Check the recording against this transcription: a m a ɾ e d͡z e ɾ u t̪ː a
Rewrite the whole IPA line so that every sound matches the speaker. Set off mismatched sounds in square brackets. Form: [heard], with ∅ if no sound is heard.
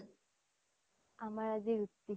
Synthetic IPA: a m a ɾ [a] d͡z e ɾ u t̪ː [i]